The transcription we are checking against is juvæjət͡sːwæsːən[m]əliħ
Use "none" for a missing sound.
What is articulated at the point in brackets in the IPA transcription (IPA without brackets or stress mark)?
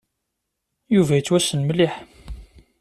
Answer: m